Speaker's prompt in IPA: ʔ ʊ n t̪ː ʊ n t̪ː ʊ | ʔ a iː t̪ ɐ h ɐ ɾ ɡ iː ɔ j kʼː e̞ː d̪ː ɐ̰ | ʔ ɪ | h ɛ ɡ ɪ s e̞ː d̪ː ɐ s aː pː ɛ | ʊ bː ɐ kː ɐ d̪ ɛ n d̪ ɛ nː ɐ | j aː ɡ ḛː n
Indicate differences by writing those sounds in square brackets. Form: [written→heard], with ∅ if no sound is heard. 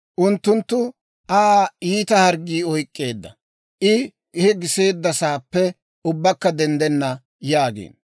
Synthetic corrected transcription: ʔ ʊ n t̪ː ʊ n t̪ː ʊ | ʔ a iː t̪ ɐ h ɐ ɾ ɡ iː ɔ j kʼː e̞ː d̪ː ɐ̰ | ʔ ɪ | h ɛ ɡ ɪ s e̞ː d̪ː ɐ s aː pː ɛ | ʊ bː ɐ kː ɐ d̪ ɛ n d̪ ɛ nː ɐ | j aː ɡ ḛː n